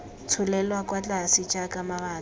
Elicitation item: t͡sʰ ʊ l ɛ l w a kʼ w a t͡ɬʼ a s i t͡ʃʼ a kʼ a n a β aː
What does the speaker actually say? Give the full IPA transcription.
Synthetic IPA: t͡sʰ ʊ l ɛ l w a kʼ w a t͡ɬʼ a s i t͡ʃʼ a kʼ a m a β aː